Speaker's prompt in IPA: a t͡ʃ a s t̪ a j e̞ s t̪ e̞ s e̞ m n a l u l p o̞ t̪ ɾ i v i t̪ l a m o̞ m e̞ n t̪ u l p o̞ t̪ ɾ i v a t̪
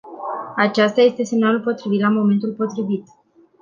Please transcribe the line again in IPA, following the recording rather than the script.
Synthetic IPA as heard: a t͡ʃ a s t̪ a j e̞ s t̪ e̞ s e̞ m n a l u l p o̞ t̪ ɾ i v i t̪ l a m o̞ m e̞ n t̪ u l p o̞ t̪ ɾ i v i t̪